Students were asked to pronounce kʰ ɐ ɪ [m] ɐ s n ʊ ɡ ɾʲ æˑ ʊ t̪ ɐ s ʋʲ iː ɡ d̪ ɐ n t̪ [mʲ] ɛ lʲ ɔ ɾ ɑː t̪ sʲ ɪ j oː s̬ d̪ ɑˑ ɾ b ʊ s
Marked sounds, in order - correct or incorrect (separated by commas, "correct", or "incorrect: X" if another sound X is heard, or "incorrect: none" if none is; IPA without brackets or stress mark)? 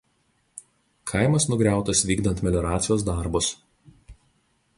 correct, correct